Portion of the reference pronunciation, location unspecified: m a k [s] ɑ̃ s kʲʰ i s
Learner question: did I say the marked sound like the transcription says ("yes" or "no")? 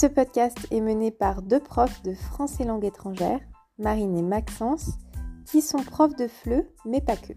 yes